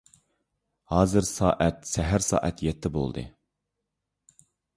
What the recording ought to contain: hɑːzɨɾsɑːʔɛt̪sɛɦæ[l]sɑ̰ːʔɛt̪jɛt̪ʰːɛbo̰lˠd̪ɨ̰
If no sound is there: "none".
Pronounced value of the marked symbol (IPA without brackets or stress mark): ɾ